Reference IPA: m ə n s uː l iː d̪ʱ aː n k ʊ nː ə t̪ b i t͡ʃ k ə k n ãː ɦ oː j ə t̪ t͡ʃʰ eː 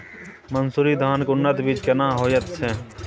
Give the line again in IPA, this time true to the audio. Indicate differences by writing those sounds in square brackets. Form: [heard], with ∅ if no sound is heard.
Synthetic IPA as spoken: m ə n s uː [ɾ] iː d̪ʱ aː n k ʊ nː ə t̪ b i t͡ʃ k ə [∅] n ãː ɦ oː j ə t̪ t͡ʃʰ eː